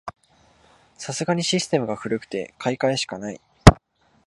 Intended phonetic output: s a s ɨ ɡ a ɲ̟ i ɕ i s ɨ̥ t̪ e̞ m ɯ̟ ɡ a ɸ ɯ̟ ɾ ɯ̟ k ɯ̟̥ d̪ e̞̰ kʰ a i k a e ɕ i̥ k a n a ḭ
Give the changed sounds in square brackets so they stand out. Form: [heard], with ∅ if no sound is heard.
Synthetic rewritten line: s a s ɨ ɡ a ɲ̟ i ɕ i s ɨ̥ t̪ e̞ m ɯ̟ ɡ a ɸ ɯ̟ ɾ ɯ̟ k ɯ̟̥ [t̪] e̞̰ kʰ a i k a e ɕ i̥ k a n a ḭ

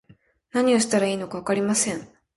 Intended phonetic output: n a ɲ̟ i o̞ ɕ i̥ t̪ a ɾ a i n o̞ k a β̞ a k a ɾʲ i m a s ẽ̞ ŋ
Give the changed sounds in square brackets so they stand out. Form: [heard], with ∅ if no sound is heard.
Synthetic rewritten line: n a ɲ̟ i o̞ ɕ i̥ t̪ a ɾ a [iː] n o̞ k a β̞ a k a ɾʲ i m a s ẽ̞ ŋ

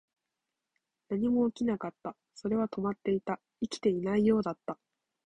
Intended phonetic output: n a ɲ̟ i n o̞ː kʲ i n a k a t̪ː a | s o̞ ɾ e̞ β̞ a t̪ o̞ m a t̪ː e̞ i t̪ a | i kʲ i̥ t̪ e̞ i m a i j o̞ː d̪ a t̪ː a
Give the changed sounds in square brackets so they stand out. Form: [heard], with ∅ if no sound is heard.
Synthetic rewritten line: n a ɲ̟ i [m] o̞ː kʲ i n a k a t̪ː a | s o̞ ɾ e̞ β̞ a t̪ o̞ m a t̪ː e̞ i t̪ a | i kʲ i̥ t̪ e̞ i [n] a i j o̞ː d̪ a t̪ː a

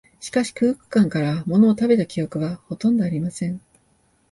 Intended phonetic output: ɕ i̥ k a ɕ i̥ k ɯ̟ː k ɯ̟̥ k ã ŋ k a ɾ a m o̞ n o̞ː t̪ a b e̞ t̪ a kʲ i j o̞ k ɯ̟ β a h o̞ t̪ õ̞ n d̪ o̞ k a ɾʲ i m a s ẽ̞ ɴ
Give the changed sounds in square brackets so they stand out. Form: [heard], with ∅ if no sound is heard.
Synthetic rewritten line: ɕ i̥ k a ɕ i̥ k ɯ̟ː k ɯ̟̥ k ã ŋ k a ɾ a m o̞ n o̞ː t̪ a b e̞ t̪ a kʲ i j o̞ k ɯ̟ β a h o̞ t̪ õ̞ n d̪ o̞ [∅] a ɾʲ i m a s ẽ̞ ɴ

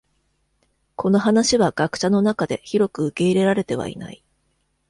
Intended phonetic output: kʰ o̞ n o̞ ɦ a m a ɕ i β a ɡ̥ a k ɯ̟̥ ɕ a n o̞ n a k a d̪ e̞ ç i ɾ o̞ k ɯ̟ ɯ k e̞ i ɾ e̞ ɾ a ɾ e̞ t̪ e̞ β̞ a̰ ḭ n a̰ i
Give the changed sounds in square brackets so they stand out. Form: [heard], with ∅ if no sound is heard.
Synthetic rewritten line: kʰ o̞ n o̞ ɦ a [n] a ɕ i β a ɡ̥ a k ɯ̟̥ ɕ a n o̞ n a k a d̪ e̞ ç i ɾ o̞ k ɯ̟ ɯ k e̞ i ɾ e̞ ɾ a ɾ e̞ t̪ e̞ β̞ a̰ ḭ n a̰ i

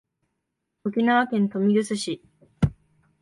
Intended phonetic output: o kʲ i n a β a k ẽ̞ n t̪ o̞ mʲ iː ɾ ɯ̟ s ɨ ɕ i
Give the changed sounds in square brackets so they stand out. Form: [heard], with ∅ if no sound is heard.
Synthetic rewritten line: o kʲ i n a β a k ẽ̞ n t̪ o̞ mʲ [i] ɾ ɯ̟ s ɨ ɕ i

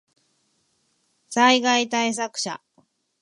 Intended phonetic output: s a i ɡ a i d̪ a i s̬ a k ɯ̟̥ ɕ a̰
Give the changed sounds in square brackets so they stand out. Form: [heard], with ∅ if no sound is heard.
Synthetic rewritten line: s a i ɡ a i [t̪] a i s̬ a k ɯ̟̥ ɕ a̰

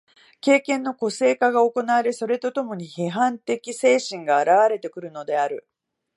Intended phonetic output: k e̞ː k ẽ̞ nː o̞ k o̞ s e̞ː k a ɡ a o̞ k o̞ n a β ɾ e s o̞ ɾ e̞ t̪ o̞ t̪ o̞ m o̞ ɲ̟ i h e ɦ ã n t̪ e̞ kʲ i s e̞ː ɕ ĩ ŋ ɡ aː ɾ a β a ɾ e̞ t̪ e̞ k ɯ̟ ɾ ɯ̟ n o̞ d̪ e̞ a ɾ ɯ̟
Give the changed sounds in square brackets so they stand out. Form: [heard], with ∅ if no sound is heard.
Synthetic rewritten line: k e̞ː k ẽ̞ nː o̞ k o̞ s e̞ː k a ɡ a o̞ k o̞ n a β ɾ e s o̞ ɾ e̞ t̪ o̞ t̪ o̞ m o̞ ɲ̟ i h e ɦ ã n t̪ e̞ kʲ i s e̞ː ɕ ĩ ŋ ɡ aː ɾ a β a ɾ e̞ t̪ e̞ k ɯ̟ ɾ ɯ̟ n o̞ d̪ e̞ a ɾ ɯ̟

